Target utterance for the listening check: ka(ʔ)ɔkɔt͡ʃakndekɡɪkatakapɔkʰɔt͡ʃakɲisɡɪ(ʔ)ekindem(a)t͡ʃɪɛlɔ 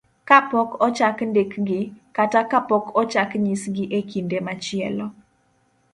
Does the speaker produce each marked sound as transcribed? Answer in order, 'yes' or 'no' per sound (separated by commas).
no, yes, yes